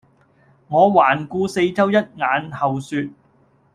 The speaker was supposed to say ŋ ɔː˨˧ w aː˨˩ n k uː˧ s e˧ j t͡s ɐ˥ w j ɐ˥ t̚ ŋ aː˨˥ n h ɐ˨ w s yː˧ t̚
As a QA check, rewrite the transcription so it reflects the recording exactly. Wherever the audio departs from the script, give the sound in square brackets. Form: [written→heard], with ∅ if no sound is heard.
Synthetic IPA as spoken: ŋ ɔː˨˧ w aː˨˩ n k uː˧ s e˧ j t͡s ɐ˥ w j ɐ˥ t̚ ŋ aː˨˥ n h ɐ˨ w s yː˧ t̚